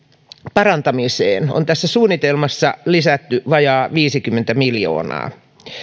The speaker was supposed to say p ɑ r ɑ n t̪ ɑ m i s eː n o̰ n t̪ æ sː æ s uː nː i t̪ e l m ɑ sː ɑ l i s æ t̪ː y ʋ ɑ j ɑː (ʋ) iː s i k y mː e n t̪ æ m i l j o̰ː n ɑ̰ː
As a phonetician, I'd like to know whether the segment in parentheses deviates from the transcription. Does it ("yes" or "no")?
no